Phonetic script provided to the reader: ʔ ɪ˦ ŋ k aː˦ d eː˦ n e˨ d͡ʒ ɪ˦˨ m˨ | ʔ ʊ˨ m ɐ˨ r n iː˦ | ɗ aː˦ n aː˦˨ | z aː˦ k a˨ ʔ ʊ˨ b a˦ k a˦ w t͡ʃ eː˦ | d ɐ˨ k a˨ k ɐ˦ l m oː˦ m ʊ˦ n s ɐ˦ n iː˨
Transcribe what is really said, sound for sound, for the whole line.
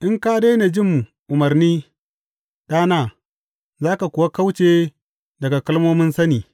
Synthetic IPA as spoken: ʔ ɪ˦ ŋ k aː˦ d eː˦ n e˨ d͡ʒ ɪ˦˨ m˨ | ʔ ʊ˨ m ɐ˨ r n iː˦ | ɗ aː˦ n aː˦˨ | z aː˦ k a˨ k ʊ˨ w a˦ k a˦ w t͡ʃ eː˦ | d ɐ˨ ɡ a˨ k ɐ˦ l m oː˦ m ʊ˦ n s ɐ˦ n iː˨

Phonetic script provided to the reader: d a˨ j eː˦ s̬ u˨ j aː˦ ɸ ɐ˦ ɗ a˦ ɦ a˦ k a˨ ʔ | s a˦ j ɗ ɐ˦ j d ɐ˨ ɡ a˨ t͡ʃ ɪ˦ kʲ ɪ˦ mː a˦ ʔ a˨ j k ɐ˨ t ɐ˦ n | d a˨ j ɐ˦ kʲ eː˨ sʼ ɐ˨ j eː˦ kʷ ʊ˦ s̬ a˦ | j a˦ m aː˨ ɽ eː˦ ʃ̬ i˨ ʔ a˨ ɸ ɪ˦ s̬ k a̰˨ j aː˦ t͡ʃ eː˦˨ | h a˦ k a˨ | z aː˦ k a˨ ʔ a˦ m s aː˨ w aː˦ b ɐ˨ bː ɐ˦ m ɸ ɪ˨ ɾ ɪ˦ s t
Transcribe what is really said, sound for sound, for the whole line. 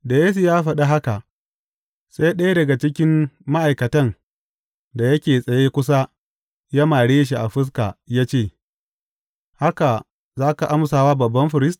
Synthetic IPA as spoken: d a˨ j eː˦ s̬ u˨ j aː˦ ɸ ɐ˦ ɗ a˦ ɦ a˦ k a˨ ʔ | s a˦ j ɗ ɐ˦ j d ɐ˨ ɡ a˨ t͡ʃ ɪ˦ kʲ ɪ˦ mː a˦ ʔ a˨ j k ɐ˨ t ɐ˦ n | d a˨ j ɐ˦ kʲ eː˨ sʼ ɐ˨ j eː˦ kʷ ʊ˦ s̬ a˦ | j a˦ m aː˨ ɽ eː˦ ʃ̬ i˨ ʔ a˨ ɸ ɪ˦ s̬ k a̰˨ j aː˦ t͡ʃ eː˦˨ | h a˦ k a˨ | z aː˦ k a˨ ʔ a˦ m s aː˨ w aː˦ b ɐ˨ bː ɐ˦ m ɸ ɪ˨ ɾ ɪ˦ s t

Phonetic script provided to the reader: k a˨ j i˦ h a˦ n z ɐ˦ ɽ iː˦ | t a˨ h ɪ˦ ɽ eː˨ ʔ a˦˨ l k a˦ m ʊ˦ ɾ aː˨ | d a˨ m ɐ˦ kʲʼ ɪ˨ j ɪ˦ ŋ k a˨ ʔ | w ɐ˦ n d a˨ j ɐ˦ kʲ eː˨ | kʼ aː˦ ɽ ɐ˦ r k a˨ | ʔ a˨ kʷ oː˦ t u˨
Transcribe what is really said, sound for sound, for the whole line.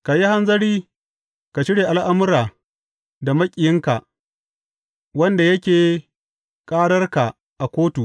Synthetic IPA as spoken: k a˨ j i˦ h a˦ n z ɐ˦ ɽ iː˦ | k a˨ ʃ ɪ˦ ɽ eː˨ ʔ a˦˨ l ʔ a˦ m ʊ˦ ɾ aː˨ | d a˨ m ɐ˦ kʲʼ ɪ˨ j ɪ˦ ŋ k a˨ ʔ | w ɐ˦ n d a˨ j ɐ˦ kʲ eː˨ | kʼ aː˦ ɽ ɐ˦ r k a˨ | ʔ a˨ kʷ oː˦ t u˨

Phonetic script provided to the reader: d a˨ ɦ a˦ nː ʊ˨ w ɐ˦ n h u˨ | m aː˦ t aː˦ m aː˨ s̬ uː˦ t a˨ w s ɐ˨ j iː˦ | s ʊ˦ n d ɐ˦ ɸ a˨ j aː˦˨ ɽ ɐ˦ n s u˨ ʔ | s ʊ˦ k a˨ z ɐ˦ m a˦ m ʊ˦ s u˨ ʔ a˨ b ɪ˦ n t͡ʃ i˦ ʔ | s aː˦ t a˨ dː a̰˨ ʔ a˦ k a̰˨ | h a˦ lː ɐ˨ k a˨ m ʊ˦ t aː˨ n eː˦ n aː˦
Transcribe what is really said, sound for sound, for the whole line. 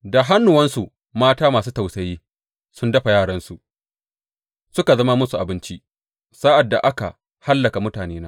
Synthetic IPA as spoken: d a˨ ɦ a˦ nː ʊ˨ w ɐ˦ n s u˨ | m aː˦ t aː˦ m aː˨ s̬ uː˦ t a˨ w s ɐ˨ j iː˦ | s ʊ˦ n d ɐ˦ ɸ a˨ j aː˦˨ ɽ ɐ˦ n s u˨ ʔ | s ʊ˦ k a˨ z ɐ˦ m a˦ m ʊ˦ s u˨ ʔ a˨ b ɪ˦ n t͡ʃ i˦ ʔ | s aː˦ ʔ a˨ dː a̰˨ ʔ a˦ k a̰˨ | h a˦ lː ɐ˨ k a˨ m ʊ˦ t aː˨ n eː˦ n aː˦

